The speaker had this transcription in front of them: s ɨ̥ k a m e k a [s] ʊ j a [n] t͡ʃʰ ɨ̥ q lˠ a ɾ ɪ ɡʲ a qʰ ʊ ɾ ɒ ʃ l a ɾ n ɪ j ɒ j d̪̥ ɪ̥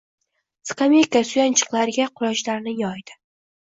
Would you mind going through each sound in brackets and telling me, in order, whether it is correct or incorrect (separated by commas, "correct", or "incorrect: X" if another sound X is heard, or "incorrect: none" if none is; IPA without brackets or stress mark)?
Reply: correct, correct